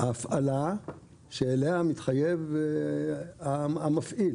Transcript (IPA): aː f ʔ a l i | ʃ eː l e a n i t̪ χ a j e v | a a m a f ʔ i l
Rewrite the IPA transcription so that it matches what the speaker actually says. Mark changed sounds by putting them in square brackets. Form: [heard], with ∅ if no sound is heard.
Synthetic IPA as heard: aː f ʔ a l [a] | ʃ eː l e a [m] i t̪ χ a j e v | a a m a f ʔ i l